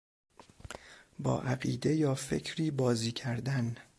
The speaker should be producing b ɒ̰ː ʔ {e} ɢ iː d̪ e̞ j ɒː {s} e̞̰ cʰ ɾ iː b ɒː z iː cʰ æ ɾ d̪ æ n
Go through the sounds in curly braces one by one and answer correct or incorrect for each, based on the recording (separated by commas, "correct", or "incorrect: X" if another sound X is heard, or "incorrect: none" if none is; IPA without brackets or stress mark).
incorrect: æ, incorrect: f